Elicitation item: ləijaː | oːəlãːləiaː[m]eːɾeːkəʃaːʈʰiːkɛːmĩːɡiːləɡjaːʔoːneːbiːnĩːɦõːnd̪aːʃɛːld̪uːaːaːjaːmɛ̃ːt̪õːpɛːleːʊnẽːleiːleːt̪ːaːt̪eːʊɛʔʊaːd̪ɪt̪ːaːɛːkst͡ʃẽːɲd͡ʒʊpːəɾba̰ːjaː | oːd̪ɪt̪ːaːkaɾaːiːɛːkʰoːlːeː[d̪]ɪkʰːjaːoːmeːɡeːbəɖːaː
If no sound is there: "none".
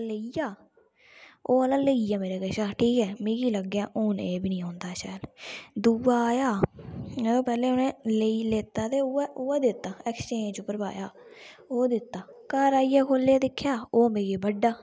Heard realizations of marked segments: m, d̪

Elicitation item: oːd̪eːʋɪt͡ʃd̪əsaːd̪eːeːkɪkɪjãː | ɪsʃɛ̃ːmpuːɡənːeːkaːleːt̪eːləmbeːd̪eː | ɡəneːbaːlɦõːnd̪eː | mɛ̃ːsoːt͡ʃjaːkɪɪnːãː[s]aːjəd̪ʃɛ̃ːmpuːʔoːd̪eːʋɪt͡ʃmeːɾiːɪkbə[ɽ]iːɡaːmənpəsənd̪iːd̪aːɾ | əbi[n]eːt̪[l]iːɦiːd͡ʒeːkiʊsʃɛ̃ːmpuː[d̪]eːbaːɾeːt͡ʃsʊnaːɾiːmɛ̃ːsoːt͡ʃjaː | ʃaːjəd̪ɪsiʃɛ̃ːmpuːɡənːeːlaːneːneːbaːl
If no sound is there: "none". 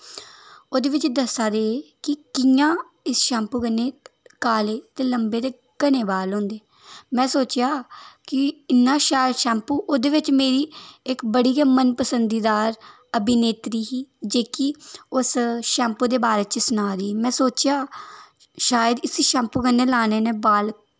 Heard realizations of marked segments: ʃ, ɽ, n, ɾ, d̪

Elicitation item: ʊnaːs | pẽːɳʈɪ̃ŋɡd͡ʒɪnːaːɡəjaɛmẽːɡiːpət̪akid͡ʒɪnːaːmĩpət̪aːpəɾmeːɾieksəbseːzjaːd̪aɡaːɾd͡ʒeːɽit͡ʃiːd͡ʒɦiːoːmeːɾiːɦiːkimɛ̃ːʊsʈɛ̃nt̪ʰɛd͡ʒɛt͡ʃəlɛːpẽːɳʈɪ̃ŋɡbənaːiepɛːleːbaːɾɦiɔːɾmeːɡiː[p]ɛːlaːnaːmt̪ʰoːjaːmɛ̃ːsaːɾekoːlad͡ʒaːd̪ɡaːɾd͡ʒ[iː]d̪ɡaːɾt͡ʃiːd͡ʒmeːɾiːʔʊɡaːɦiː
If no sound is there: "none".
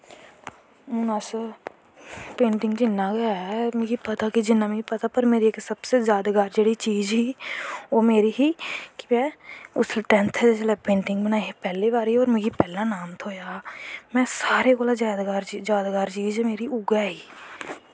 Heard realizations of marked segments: p, aː

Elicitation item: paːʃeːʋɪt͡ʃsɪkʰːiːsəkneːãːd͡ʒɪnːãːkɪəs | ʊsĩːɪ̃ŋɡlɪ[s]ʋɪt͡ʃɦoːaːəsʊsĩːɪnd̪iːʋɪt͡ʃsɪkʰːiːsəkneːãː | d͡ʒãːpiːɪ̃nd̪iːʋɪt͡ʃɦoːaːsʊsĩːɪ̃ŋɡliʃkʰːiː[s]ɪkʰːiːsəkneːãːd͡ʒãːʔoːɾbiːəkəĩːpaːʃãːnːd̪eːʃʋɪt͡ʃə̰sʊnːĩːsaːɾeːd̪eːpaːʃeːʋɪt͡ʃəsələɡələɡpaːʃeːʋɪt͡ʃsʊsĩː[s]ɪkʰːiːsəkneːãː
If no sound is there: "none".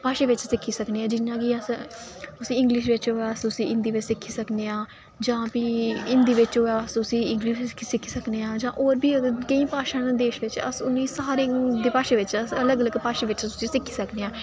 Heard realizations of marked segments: ʃ, s, s

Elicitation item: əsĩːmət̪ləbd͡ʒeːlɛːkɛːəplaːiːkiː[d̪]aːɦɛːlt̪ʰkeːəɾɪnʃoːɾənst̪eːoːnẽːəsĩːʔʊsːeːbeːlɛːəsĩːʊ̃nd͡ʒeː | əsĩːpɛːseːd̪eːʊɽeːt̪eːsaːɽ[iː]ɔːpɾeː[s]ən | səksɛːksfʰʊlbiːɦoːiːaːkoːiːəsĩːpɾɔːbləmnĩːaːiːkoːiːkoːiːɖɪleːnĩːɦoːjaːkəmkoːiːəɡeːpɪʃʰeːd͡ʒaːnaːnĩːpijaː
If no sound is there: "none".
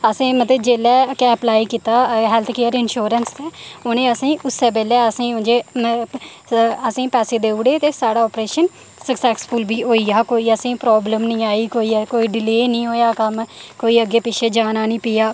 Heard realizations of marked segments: t̪, aː, ʃ

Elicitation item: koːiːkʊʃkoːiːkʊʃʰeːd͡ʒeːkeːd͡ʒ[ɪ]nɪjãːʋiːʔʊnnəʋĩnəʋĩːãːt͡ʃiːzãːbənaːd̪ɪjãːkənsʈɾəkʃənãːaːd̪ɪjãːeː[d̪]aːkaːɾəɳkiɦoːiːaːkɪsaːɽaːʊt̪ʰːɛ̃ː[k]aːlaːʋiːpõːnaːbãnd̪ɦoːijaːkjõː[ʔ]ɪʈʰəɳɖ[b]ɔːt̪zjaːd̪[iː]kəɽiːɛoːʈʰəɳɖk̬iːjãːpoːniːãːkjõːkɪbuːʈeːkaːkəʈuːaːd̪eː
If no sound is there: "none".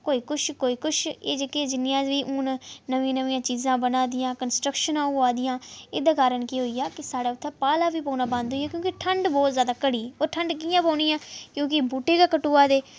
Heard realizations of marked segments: ɪ, d̪, p, k, b, aː

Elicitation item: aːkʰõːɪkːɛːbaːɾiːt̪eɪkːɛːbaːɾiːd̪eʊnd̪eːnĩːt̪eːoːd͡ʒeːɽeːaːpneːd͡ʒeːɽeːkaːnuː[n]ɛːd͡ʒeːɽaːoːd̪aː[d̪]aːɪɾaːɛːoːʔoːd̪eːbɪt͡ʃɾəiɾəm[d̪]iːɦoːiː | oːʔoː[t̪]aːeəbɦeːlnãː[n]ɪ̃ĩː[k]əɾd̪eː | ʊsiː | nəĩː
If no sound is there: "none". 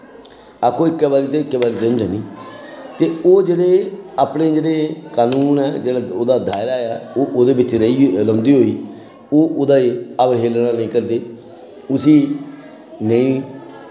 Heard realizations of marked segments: n, d̪, d̪, d̪, n, k

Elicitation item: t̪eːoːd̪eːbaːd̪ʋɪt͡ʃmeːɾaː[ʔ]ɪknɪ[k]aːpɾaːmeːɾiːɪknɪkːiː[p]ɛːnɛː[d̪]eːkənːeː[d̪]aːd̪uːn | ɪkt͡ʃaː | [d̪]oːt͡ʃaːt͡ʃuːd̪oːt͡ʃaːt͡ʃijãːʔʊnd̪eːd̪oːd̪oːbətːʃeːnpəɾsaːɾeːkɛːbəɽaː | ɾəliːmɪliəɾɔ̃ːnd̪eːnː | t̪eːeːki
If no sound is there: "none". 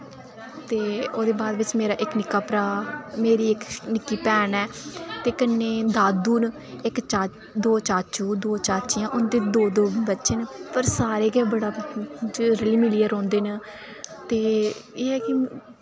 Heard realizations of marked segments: ʔ, k, p, t̪, d̪, d̪

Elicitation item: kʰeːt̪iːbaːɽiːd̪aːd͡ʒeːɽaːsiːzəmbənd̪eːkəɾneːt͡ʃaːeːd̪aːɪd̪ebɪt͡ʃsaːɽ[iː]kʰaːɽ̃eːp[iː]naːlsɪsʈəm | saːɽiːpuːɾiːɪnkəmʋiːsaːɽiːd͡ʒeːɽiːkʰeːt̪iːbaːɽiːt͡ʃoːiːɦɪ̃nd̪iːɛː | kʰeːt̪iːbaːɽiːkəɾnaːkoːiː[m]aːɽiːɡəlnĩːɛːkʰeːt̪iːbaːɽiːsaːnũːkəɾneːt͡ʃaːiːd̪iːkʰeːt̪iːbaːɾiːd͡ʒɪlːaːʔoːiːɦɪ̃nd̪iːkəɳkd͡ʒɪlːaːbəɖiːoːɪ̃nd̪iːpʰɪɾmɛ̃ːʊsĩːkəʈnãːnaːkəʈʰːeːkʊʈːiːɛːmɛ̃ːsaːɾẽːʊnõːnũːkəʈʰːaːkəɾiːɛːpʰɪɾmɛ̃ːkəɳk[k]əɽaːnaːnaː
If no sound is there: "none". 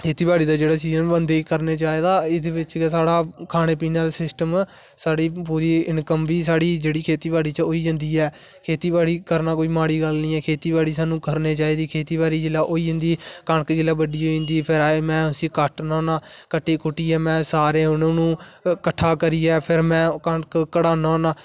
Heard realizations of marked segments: aː, iː, m, k

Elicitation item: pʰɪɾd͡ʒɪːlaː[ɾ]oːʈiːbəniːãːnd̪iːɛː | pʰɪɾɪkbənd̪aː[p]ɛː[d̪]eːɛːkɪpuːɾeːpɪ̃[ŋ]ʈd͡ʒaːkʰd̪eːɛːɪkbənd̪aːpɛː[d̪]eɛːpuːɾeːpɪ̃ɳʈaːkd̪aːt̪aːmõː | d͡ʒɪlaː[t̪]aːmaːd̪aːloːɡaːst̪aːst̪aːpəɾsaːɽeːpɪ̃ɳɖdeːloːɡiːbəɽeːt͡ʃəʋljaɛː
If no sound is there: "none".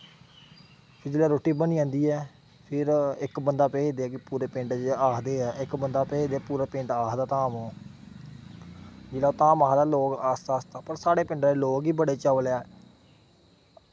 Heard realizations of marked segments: ɾ, p, d̪, ɳ, d̪, t̪

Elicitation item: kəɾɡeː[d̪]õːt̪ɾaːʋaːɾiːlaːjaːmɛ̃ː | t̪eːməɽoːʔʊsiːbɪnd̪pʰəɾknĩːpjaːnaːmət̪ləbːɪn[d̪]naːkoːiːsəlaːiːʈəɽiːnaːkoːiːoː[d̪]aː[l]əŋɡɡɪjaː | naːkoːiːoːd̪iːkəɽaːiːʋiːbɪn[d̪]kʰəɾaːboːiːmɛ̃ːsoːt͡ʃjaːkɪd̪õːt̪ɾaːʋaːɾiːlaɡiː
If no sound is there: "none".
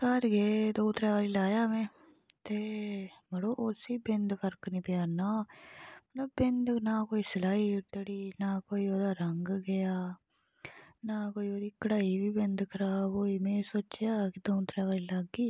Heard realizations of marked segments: d̪, d̪, d̪, ɾ, d̪

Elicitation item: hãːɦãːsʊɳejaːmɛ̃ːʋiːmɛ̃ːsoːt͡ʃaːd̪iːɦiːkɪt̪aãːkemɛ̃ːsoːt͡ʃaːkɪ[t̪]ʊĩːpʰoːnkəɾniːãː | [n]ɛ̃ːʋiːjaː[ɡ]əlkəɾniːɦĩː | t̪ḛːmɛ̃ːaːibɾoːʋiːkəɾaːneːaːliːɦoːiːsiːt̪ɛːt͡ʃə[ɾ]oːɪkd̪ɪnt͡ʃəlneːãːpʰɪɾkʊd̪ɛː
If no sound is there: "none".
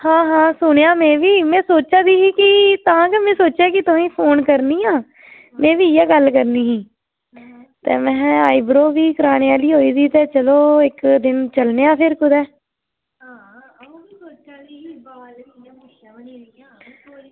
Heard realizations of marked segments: t̪, m, ɡ, l

